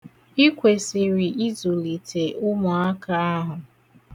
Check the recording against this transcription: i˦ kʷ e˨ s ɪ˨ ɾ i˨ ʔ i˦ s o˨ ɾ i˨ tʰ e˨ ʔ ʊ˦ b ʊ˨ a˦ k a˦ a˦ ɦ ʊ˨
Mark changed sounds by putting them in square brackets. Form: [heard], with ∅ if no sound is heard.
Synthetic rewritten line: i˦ kʷ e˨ s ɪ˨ ɾ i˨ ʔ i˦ [z] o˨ [l] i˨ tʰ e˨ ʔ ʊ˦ [m] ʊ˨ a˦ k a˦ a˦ ɦ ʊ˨